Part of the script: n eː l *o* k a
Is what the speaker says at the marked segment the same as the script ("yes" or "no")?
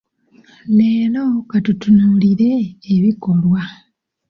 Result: yes